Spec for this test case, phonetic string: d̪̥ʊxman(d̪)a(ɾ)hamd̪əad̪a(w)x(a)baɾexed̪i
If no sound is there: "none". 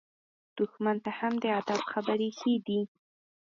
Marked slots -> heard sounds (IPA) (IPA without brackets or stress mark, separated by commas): t̪, none, b, a